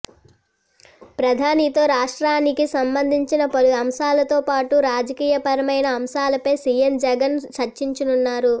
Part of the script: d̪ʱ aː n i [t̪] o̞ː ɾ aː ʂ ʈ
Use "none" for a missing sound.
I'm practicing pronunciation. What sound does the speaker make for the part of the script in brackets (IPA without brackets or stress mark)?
t̪